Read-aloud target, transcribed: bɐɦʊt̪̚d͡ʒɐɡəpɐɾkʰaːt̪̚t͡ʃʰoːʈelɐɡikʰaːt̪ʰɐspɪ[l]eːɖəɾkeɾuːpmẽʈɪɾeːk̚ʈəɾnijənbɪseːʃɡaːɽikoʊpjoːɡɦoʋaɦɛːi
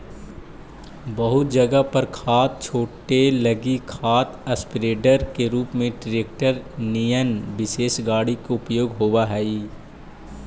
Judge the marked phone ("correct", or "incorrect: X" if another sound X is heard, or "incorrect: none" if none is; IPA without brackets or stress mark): incorrect: ɾ